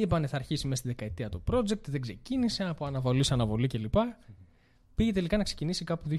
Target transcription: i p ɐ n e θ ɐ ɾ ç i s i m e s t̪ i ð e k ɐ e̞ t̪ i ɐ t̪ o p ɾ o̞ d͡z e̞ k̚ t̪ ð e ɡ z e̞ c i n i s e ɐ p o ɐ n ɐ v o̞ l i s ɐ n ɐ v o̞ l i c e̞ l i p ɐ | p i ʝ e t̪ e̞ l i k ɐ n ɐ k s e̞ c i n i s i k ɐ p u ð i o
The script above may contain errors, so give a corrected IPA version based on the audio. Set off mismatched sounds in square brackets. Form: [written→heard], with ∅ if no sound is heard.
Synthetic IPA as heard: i p ɐ n e θ ɐ ɾ ç i s i m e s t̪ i ð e k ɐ e̞ t̪ i ɐ t̪ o p ɾ o̞ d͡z e̞ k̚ t̪ ð e ɡ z e̞ c i n i s e ɐ p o ɐ n ɐ v o̞ l i s ɐ n ɐ v o̞ l i c e̞ l i p ɐ | p i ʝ e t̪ e̞ l i k ɐ n ɐ k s e̞ c i n i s i k ɐ p u ð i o